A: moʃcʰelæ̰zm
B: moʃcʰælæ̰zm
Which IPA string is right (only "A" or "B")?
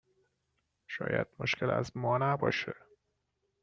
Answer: A